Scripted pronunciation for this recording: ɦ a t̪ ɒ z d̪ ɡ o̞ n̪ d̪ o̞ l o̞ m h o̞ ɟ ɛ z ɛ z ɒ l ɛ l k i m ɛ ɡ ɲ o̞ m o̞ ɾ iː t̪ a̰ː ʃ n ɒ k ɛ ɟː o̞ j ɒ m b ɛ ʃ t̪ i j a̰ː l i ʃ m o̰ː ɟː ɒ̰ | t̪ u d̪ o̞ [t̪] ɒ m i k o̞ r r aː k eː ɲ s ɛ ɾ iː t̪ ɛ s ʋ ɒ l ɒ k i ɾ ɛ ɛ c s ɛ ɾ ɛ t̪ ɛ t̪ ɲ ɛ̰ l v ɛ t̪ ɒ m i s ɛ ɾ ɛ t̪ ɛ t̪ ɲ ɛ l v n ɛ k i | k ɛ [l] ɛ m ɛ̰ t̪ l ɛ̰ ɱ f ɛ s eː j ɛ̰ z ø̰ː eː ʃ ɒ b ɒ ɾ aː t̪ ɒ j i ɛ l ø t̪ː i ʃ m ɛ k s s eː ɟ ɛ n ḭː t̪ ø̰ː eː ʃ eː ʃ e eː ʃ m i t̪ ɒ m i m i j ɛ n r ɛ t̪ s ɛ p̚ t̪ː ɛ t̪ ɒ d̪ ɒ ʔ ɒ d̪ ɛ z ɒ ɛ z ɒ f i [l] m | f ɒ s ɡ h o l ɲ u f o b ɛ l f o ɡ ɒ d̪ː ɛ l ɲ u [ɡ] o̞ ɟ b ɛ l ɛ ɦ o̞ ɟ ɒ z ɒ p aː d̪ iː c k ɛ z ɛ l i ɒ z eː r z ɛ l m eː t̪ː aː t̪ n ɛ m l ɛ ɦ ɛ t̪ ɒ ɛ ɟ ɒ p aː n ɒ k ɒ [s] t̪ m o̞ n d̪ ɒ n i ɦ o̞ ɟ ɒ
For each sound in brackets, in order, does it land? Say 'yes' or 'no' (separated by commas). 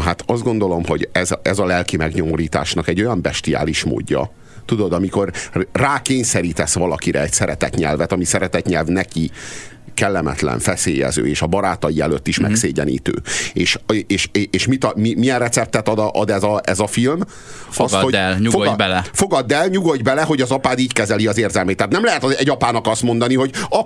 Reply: no, no, yes, yes, yes